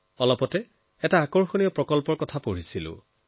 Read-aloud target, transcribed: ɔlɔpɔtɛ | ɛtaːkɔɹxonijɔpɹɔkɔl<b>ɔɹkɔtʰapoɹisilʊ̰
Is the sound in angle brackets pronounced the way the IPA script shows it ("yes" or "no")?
no